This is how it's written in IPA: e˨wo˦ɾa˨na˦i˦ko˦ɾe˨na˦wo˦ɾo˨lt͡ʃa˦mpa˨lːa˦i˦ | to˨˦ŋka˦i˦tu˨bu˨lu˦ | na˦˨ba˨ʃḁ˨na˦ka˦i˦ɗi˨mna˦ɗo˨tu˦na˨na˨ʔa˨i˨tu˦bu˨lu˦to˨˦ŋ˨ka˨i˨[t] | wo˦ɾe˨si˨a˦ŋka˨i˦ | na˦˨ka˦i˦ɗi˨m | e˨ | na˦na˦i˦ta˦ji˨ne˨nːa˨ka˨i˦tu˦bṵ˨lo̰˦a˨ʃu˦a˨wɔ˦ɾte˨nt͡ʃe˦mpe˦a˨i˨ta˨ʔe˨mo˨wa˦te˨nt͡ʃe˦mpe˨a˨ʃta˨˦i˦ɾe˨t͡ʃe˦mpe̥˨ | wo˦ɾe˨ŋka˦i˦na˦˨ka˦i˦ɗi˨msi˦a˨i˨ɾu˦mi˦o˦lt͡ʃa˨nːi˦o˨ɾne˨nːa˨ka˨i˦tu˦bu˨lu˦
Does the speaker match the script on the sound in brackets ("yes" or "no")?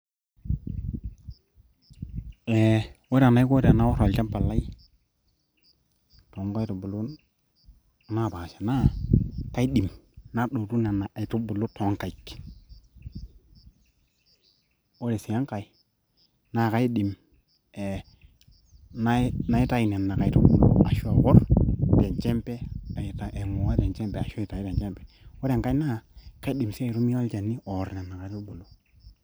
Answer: no